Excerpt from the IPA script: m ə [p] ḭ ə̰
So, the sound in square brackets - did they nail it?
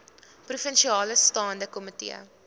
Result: no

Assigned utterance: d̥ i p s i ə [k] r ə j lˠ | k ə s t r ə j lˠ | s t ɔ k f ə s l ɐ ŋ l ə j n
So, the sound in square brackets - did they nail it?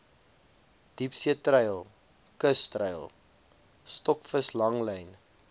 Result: no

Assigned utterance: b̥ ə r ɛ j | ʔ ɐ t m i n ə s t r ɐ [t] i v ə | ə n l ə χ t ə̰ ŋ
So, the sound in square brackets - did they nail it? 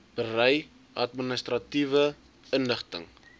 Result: yes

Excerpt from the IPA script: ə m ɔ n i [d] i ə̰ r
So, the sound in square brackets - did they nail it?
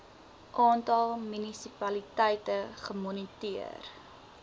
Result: no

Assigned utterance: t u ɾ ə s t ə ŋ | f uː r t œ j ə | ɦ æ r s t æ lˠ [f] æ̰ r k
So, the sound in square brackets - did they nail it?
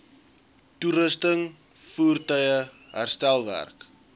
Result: no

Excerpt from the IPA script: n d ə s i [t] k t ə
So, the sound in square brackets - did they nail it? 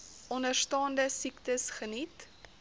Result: no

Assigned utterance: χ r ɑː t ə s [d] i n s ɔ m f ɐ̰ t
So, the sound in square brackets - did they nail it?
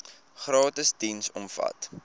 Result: yes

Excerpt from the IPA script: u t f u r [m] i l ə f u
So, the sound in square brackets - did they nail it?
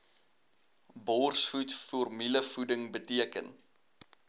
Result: yes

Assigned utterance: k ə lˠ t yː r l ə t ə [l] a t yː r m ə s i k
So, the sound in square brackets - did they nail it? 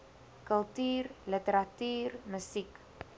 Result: no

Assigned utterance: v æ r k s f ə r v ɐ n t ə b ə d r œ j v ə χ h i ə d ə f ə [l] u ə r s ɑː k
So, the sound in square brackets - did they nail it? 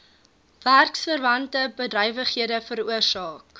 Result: no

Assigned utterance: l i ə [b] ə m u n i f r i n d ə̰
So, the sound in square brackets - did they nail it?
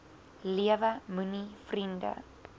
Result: no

